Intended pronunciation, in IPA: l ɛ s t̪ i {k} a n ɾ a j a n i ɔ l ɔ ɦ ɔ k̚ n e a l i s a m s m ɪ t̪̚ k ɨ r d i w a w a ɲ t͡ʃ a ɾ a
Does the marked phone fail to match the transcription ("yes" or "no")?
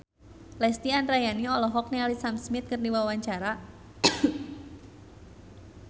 yes